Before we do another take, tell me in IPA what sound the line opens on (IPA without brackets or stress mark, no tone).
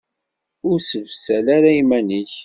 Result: ʊ